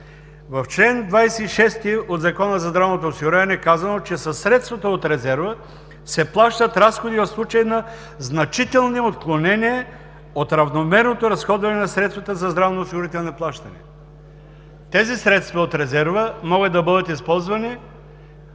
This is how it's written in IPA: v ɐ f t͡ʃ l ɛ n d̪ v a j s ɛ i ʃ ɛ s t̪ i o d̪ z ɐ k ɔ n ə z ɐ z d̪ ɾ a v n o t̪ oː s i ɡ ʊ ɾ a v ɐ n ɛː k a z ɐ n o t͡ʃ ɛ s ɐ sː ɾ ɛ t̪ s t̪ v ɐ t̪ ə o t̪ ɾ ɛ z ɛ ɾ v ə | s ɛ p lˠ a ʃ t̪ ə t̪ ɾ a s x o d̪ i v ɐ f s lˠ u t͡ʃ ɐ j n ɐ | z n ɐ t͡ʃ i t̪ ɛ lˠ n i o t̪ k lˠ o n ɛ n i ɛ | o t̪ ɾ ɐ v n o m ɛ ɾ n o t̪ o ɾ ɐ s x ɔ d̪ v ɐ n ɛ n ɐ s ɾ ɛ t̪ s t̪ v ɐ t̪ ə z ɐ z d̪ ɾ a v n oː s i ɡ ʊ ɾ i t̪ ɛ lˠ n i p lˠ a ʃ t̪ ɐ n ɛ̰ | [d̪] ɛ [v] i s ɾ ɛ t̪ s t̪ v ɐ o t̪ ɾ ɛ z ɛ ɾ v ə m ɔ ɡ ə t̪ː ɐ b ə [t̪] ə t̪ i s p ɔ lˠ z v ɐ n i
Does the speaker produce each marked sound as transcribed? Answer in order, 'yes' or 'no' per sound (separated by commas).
no, no, no